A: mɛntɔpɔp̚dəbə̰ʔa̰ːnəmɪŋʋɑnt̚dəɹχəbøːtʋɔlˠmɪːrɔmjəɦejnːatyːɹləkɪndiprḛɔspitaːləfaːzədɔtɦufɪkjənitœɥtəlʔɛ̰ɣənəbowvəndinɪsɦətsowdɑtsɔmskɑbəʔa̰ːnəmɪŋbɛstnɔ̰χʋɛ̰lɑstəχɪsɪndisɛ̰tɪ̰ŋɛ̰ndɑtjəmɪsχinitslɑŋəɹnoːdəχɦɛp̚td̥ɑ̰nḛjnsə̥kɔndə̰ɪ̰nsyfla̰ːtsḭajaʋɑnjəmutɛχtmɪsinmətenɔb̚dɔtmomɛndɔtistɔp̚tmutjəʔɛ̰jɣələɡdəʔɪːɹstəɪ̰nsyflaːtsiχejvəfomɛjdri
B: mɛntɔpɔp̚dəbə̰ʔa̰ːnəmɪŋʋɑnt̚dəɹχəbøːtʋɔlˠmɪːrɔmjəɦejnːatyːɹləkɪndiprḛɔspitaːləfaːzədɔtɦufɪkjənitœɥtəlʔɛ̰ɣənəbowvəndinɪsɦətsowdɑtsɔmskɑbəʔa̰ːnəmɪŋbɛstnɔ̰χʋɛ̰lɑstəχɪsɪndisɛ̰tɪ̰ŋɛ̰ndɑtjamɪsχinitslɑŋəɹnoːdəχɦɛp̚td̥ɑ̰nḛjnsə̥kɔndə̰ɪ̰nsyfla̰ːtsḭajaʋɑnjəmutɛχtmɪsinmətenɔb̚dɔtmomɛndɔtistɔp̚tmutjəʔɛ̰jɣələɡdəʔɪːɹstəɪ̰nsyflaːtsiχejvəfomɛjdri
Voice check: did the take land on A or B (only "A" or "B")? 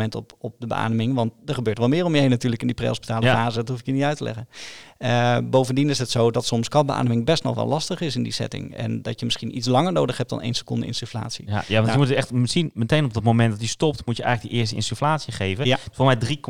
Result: A